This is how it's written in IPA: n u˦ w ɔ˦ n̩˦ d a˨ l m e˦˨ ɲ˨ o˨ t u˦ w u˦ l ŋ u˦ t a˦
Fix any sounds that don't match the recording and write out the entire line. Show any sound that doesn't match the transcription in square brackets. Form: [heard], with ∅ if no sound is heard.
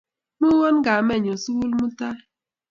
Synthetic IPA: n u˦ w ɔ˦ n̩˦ [ɡ] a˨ [∅] m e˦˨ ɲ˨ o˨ [s] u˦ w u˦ l [m] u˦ t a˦